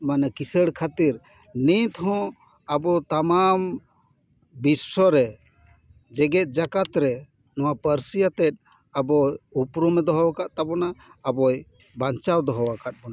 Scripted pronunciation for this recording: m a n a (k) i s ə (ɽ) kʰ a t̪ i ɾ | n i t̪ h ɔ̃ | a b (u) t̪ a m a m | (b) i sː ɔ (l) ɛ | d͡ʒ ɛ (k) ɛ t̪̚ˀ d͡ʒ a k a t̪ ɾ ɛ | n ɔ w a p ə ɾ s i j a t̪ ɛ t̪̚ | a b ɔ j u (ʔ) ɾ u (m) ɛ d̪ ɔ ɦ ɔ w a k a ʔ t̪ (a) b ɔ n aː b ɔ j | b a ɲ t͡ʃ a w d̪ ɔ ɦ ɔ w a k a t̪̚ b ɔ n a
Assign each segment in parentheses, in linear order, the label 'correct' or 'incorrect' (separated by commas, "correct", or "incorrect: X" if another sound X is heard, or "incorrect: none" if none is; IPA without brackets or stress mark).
correct, correct, incorrect: ɔ, correct, incorrect: ɾ, incorrect: ɡ, incorrect: p, correct, correct